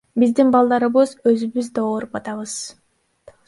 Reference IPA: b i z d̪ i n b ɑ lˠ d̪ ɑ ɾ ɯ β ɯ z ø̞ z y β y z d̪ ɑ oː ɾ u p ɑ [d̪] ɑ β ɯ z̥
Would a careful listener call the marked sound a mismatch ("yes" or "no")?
yes